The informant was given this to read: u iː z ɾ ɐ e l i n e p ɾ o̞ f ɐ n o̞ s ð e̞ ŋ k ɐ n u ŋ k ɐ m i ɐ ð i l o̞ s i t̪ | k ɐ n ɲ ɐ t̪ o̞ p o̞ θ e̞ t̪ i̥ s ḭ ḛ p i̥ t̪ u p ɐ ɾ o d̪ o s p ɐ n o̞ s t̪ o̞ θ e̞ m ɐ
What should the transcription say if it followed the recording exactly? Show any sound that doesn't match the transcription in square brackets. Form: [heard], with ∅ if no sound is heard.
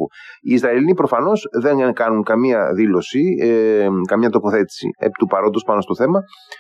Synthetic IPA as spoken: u iː z ɾ ɐ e l i n [i] p ɾ o̞ f ɐ n o̞ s ð e̞ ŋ k ɐ n u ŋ k ɐ m i ɐ ð i l o̞ s i [∅] | k ɐ [m] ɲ ɐ t̪ o̞ p o̞ θ e̞ t̪ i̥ s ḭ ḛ p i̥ t̪ u p ɐ ɾ o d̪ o s p ɐ n o̞ s t̪ o̞ θ e̞ m ɐ